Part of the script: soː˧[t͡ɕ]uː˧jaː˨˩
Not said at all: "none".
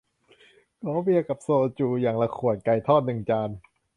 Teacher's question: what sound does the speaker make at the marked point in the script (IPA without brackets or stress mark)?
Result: t͡ɕ